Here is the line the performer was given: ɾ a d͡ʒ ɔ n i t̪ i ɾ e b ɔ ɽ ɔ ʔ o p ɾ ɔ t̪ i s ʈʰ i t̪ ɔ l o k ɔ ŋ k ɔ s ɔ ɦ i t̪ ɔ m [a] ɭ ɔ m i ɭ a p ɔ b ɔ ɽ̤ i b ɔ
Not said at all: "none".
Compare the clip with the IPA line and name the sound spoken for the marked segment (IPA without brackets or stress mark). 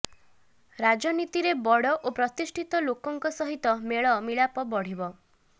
e